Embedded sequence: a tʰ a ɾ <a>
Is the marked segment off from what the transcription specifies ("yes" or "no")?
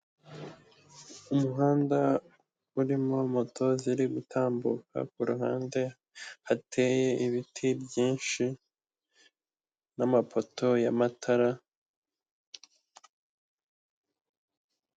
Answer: no